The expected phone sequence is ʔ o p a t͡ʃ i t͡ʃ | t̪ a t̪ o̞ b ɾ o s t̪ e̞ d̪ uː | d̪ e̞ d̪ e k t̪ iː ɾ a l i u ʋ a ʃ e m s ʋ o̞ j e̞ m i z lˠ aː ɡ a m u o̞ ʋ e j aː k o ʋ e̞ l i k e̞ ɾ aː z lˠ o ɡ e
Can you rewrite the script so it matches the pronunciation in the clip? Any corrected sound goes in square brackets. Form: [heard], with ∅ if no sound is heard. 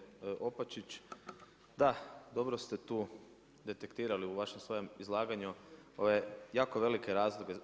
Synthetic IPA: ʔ o p a t͡ʃ i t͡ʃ | [d̪] a [d̪] o̞ b ɾ o s t̪ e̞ [t̪] uː | d̪ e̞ [t̪] e k t̪ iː ɾ a l i u ʋ a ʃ e m s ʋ o̞ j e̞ m i z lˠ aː ɡ a [ɲ] u o̞ ʋ e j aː k o ʋ e̞ l i k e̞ ɾ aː z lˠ o ɡ e